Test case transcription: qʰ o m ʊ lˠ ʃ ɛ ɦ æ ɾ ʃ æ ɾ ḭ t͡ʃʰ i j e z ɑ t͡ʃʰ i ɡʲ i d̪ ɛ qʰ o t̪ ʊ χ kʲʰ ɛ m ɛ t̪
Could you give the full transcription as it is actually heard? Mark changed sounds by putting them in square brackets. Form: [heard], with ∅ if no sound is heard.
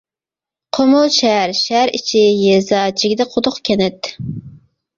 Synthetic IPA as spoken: qʰ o m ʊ lˠ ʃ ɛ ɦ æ ɾ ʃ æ ɾ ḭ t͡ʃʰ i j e z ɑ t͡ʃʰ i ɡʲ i d̪ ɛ qʰ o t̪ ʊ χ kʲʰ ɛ [n] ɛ t̪